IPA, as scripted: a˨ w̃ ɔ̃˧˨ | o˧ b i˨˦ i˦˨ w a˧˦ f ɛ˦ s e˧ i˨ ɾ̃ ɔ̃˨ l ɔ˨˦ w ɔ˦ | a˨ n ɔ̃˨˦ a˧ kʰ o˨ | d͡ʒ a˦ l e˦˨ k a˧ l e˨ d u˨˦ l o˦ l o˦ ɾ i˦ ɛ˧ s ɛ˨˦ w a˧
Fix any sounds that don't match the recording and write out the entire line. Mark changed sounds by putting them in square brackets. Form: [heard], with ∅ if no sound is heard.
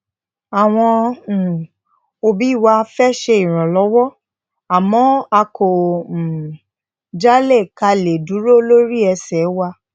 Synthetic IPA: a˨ w̃ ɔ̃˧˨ | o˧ b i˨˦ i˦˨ w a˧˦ f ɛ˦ [ʃ] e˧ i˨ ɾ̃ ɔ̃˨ l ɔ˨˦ w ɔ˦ | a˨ [m] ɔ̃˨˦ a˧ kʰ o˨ | d͡ʒ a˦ l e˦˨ k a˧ l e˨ d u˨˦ [ɾ] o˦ l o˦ ɾ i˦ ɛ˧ s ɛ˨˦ w a˧